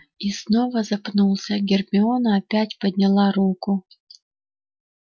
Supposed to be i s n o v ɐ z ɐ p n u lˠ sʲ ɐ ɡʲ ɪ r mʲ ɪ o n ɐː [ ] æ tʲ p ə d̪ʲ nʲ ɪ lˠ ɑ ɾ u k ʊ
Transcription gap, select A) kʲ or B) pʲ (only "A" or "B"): B